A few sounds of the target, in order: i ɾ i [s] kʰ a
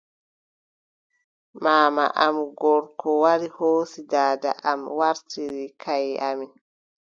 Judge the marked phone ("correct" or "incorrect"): incorrect